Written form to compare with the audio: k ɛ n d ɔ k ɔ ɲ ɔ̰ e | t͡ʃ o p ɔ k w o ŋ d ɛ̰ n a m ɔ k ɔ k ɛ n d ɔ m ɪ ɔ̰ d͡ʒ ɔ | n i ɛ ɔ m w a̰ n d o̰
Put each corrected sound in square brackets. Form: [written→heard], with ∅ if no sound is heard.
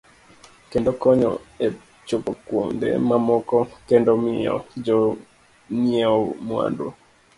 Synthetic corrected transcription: k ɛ n d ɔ k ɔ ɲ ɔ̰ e | t͡ʃ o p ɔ k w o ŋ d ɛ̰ [n→m] a m ɔ k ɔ k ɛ n d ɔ m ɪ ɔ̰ d͡ʒ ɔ | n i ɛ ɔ m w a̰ n d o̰